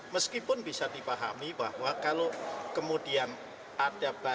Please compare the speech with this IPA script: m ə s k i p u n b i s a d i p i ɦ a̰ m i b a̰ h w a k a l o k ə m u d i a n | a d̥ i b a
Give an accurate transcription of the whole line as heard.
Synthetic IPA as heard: m ə s k i p ʊ n b i s a d i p a ɦ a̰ m i b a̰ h w a k a l o k ə m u d i a n | a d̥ a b a